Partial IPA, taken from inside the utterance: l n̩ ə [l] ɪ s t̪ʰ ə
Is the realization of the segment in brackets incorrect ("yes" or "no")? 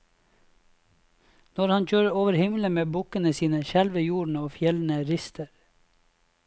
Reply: yes